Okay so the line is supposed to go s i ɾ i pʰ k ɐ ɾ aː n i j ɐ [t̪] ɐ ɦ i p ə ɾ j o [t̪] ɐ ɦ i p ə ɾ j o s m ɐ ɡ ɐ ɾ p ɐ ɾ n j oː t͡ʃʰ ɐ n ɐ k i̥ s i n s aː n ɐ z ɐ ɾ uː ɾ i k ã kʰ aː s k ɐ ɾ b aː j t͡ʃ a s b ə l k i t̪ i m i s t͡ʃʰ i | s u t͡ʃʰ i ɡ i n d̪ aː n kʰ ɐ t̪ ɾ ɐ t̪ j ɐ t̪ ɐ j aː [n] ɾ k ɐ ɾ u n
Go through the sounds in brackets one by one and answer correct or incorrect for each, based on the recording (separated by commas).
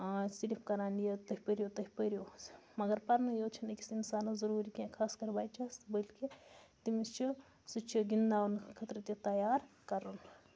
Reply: correct, correct, incorrect